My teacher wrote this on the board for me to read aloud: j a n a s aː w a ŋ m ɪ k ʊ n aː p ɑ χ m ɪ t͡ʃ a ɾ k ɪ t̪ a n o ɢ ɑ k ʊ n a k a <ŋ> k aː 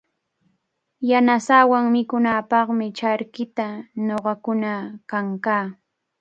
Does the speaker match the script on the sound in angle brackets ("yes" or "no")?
yes